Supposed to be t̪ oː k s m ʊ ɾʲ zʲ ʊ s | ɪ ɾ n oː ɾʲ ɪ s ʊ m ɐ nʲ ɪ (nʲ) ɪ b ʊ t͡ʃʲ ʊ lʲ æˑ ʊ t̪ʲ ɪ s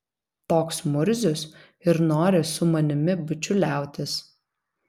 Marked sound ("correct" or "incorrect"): incorrect